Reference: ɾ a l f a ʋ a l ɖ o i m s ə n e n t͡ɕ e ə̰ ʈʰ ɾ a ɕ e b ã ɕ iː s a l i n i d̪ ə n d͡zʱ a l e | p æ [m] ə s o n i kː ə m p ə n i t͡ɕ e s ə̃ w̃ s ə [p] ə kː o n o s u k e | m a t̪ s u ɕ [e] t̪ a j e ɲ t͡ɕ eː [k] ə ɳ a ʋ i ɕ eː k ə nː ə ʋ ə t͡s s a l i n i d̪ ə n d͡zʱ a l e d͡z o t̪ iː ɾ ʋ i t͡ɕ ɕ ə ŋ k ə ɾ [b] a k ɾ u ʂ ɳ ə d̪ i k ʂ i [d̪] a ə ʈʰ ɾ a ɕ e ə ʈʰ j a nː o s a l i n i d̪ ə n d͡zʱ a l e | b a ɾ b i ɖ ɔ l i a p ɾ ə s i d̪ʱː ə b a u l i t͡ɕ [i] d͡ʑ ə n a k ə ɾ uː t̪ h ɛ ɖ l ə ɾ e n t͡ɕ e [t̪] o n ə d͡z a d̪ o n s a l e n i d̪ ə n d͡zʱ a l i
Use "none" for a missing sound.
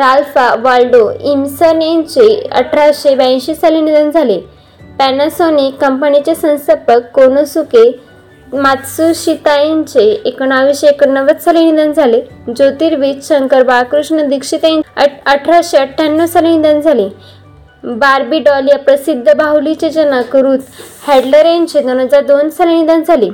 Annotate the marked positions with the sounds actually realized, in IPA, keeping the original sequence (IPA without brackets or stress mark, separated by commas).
n, p, i, k, b, t̪, e, d̪